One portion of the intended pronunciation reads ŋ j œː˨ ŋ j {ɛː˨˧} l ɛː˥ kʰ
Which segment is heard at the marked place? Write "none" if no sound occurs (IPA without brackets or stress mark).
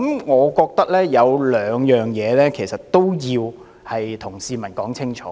ɛː˨˧